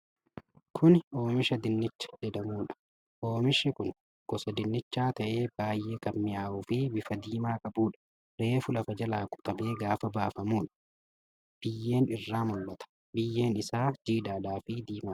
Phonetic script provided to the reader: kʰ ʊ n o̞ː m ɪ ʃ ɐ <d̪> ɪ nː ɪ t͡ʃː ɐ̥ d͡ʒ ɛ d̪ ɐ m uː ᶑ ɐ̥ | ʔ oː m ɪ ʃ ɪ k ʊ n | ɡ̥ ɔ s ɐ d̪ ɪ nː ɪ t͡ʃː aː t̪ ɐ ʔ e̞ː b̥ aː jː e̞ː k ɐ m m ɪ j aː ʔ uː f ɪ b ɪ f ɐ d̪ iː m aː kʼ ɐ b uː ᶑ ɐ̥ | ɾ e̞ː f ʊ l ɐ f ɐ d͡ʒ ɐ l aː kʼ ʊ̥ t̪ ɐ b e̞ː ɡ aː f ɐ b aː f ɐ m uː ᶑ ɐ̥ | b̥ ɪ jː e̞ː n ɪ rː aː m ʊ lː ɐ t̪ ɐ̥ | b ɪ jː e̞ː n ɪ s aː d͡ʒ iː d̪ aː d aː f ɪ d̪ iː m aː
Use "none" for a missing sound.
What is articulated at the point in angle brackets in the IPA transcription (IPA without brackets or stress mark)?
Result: d̪